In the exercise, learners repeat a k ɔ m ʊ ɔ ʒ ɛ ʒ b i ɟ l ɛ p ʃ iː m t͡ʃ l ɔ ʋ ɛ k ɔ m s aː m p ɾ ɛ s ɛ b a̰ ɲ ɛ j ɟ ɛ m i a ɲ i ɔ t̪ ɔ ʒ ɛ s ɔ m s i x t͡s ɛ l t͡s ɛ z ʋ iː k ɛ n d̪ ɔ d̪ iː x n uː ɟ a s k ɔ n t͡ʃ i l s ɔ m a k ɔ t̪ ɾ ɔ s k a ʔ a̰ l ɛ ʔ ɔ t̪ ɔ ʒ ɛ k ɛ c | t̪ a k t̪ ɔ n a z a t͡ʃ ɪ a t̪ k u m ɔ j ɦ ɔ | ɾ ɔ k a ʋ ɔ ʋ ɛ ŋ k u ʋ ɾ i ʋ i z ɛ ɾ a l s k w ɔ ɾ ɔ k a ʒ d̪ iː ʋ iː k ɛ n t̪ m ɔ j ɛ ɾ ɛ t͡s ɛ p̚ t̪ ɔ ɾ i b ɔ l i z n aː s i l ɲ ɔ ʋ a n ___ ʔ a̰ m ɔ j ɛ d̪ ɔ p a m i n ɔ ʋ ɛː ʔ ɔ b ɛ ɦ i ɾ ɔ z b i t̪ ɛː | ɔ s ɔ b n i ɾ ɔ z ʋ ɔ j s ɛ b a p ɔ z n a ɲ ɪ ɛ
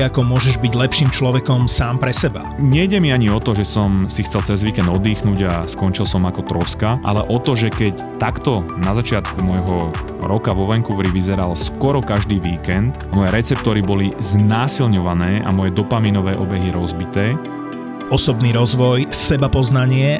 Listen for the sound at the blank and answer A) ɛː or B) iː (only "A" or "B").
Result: A